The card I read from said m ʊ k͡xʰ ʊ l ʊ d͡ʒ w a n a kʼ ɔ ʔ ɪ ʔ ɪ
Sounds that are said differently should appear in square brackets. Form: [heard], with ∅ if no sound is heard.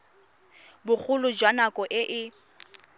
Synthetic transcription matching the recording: [b] ʊ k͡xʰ ʊ l ʊ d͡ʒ w a n a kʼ ɔ ʔ ɪ ʔ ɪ

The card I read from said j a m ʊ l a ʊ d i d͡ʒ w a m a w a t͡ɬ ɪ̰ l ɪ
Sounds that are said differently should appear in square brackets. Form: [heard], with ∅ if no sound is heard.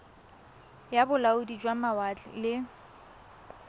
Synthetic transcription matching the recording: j a [b] ʊ l a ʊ d i d͡ʒ w a m a w a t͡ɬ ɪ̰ l ɪ

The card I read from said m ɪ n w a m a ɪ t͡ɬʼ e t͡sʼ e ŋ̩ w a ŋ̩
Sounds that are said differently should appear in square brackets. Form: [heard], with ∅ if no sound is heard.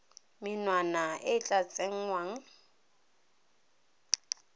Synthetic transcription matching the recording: m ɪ n w a [n] a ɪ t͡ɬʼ [a] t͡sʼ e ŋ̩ w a ŋ̩

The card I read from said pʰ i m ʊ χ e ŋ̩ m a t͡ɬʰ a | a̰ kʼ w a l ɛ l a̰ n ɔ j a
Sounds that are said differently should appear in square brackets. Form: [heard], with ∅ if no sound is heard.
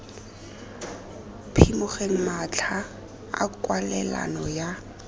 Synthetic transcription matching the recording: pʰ i m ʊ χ e ŋ̩ m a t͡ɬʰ a | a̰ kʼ w a l ɛ l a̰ n ɔ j a

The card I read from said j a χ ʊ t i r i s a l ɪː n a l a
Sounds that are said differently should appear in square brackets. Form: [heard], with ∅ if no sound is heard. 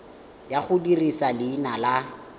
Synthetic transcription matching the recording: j a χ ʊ [d] i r i s a l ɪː n a l a

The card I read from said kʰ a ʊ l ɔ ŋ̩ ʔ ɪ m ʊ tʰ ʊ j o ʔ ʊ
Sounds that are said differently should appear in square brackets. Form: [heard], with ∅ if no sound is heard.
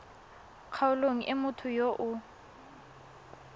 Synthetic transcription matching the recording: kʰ a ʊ l [o] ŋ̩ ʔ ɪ m ʊ tʰ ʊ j o ʔ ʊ

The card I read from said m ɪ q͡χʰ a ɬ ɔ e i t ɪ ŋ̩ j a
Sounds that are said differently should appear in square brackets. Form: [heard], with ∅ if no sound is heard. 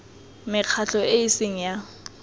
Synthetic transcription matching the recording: m ɪ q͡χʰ a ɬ ɔ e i [s] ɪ ŋ̩ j a

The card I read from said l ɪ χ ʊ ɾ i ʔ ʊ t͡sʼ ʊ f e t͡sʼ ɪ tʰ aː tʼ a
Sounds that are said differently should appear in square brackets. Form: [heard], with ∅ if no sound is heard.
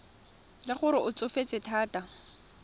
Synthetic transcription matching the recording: l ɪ χ ʊ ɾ [ɪ] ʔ ʊ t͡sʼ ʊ f e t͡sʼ ɪ tʰ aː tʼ a

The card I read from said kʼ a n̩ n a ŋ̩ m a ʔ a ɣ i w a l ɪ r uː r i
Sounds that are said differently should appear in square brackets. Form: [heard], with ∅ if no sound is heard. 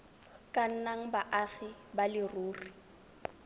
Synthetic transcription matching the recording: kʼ a n̩ n a ŋ̩ [b] a ʔ a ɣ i [b] a l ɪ r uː r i

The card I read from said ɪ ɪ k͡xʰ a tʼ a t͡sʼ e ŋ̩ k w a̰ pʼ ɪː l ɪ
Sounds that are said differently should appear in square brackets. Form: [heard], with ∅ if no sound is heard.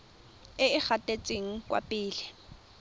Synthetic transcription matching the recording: ɪ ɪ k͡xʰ a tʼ [e] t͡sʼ e ŋ̩ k w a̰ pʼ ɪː l ɪ

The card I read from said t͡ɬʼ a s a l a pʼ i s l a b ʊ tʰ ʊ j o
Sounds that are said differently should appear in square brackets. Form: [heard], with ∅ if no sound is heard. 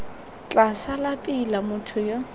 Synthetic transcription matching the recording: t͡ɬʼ a s a l a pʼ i [∅] l a [m] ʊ tʰ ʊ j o

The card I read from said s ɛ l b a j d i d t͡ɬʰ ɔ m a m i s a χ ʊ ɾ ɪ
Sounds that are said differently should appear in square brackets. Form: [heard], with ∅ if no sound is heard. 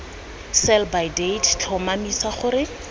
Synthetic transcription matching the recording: s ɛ l b a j d [e] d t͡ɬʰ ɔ m a m i s a χ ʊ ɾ ɪ

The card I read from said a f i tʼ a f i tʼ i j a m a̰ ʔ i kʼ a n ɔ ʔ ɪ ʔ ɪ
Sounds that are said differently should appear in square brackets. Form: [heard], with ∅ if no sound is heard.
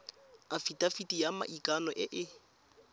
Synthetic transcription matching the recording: a f i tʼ a f i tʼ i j a m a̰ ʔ i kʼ a n ɔ ʔ ɪ ʔ ɪ

